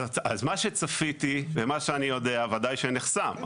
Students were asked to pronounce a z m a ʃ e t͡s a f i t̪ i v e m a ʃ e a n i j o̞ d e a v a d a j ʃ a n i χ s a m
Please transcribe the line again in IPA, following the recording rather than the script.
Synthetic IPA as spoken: a z m a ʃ e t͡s a f i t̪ i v e m a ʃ e a n i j o̞ d e a v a d a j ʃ e n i χ s a m

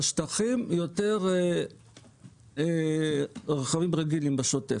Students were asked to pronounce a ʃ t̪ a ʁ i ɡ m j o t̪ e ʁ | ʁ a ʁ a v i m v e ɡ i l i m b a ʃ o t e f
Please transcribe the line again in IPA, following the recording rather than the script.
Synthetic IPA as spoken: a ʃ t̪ a χ i m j o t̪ e ʁ | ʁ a χ a v i m ʁ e ɡ i l i m b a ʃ o t e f

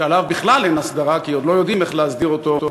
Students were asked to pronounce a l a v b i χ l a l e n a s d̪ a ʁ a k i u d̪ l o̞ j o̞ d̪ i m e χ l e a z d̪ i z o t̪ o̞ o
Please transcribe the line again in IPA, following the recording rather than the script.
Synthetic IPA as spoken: a l a v b i χ l a l e n a s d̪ a ʁ a k i o d̪ l o̞ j o̞ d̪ i m e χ l e a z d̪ i ʁ o t̪ o̞ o

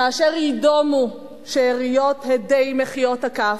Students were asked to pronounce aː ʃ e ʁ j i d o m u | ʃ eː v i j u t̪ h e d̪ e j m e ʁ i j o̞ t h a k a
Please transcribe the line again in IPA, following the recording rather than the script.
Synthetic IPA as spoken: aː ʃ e ʁ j i d o m u | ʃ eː ʁ i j o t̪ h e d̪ e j m e χ i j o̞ t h a k a

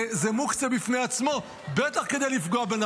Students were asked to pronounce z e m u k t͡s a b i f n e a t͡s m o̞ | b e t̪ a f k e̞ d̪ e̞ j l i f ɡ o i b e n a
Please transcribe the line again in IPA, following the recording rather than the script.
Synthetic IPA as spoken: z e m u k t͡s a b i f n e a t͡s m o̞ | b e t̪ a χ k e̞ d̪ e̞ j l i f ɡ o a b e n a

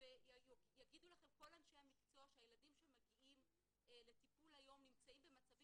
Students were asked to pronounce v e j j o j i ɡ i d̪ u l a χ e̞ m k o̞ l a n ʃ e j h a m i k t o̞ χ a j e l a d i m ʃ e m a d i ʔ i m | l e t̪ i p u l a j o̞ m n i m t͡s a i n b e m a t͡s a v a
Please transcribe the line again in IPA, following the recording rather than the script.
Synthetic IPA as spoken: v e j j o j a ɡ i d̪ u l a χ e̞ m k o̞ l a n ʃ e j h a m i k t͡s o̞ ʃ a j e l a d i m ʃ e m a ɡ i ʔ i m | l e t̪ i p u l a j o̞ m n i m t͡s a i m b e m a t͡s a v i

